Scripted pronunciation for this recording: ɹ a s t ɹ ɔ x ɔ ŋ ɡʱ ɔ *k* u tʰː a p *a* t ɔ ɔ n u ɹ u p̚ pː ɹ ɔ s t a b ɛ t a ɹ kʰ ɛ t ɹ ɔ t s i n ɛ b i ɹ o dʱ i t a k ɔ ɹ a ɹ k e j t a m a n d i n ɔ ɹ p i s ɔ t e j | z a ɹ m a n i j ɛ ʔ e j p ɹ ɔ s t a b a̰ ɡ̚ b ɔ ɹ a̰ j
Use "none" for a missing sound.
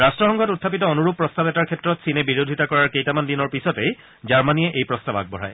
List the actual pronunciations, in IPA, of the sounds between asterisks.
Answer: t, i

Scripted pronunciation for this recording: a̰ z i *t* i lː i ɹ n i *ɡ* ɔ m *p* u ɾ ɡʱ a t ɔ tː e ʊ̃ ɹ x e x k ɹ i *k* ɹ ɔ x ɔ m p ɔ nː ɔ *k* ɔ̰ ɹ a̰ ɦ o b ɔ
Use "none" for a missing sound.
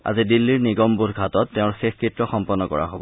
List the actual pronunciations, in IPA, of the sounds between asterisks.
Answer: d, ɡ, b, t, k

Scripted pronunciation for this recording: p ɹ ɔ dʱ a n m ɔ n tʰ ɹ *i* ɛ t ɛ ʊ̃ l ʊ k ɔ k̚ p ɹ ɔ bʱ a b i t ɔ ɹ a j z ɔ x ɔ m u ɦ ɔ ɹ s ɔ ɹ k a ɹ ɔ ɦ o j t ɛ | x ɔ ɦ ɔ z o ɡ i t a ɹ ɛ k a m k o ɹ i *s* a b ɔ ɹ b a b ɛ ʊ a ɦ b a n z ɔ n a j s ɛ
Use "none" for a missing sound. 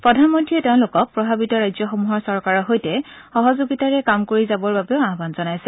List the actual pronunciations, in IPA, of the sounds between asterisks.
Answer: i, z

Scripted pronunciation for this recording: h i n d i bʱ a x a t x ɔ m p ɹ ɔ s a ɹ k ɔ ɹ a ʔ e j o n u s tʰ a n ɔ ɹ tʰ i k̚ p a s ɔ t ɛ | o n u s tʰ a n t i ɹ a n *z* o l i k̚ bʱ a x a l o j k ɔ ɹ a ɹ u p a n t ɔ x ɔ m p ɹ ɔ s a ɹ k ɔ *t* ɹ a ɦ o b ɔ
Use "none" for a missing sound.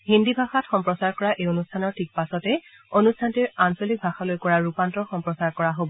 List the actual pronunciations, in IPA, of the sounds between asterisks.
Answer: s, none

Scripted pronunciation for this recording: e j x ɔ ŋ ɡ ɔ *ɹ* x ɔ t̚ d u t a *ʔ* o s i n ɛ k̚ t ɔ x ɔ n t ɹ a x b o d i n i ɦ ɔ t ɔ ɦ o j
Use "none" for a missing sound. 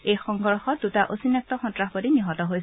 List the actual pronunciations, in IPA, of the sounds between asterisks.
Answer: ɹ, ʔ

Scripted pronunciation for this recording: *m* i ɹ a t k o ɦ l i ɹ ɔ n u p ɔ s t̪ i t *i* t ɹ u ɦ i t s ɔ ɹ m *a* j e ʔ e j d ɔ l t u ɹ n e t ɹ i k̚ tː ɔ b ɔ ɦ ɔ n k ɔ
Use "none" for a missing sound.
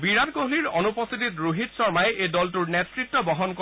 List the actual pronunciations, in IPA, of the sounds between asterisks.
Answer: b, i, a

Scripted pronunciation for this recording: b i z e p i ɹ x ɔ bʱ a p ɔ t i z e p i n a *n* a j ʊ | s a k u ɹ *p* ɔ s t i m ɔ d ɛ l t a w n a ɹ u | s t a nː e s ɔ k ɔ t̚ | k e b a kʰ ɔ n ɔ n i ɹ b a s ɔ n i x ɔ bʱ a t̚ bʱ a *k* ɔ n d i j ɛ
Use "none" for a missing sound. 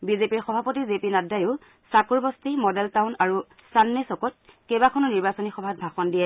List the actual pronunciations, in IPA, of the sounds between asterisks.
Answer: d, b, x

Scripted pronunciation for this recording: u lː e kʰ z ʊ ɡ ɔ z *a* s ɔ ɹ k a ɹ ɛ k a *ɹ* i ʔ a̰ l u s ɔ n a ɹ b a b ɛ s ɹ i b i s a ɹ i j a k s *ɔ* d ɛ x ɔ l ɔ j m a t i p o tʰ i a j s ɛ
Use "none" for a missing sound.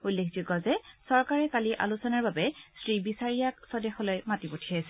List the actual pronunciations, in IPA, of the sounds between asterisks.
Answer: ɛ, l, ɔ

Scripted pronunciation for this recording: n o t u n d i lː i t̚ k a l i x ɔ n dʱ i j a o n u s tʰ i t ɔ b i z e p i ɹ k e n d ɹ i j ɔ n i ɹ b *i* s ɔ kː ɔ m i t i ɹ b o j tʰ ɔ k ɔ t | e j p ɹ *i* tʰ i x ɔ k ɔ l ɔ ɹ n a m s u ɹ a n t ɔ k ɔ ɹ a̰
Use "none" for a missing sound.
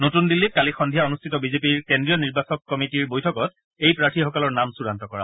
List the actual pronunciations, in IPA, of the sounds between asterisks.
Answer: a, a

